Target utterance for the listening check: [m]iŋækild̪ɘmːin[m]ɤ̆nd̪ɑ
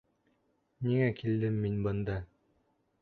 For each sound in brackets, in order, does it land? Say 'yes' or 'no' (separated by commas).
no, no